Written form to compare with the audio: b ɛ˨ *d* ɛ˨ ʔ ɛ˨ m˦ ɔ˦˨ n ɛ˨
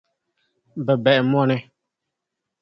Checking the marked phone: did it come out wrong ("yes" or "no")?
yes